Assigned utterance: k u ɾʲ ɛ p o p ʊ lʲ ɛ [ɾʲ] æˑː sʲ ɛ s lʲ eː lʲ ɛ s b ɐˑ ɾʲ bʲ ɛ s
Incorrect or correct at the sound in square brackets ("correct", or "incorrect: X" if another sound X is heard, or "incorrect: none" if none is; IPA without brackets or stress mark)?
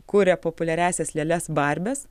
correct